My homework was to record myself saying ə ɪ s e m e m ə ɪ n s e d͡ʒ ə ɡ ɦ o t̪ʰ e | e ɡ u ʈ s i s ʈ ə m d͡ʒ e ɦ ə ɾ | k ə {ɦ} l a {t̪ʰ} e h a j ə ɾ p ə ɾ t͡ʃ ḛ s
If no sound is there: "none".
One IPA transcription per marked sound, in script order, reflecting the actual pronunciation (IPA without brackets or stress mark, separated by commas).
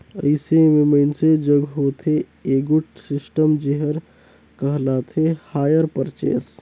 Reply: ɦ, t̪ʰ